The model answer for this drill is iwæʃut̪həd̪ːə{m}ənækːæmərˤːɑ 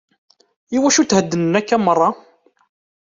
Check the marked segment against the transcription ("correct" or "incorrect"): incorrect